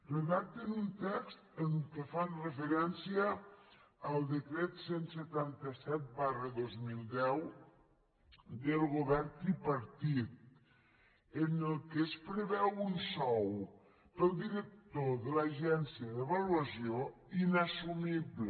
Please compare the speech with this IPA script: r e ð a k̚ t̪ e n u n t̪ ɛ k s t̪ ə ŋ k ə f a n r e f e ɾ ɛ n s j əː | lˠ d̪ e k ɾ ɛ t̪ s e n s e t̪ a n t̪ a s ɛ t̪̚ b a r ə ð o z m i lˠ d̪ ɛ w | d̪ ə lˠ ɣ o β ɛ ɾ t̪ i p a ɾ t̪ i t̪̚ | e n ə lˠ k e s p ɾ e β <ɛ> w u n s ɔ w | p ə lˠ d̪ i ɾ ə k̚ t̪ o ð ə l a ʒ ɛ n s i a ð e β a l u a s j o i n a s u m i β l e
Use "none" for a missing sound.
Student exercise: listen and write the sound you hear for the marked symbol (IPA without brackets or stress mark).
ɛ